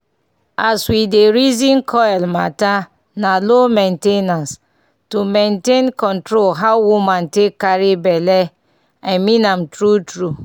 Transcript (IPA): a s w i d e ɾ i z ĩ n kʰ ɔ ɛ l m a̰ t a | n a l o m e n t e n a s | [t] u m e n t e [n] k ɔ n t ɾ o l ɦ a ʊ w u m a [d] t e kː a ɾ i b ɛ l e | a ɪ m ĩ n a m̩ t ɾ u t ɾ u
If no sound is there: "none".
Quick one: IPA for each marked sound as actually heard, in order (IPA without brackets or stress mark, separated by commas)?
t, n, n